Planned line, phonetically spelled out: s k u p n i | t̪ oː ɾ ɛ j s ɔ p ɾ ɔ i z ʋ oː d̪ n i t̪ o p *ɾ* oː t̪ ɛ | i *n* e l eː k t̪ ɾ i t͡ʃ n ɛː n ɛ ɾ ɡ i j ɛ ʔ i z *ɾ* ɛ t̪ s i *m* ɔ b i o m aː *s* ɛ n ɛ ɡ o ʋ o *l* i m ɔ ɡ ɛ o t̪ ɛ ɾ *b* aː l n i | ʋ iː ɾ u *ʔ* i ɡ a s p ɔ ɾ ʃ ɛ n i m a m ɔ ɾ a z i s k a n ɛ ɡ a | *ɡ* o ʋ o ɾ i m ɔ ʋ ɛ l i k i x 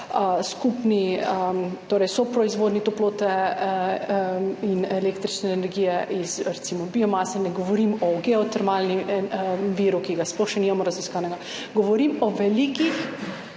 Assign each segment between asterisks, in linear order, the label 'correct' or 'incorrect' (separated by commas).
incorrect, correct, correct, correct, correct, incorrect, incorrect, incorrect, correct